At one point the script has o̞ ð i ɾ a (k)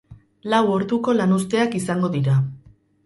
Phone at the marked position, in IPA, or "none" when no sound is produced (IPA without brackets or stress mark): none